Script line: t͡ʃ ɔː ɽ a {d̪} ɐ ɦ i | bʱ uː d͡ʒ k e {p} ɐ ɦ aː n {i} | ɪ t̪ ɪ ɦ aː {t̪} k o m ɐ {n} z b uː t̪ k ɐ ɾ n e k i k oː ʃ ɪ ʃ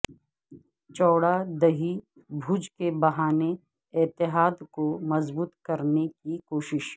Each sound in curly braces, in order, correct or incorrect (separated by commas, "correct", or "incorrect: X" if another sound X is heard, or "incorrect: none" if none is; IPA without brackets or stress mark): correct, incorrect: b, incorrect: e, incorrect: d̪, incorrect: none